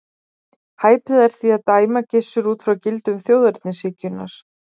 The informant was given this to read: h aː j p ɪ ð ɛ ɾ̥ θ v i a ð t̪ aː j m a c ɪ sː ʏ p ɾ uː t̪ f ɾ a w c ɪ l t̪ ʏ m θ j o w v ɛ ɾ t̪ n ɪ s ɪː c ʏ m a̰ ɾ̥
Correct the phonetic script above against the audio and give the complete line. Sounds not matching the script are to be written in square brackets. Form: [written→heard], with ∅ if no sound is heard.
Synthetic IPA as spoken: h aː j p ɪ ð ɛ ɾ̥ θ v i a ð t̪ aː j m a c ɪ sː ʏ [p→∅] ɾ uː t̪ f ɾ a w c ɪ l t̪ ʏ m θ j o w [v→ð] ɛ ɾ t̪ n ɪ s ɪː c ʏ [m→n] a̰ ɾ̥